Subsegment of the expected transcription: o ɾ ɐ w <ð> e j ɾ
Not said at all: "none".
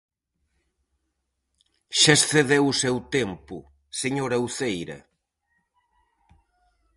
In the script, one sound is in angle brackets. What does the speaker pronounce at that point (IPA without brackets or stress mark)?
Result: θ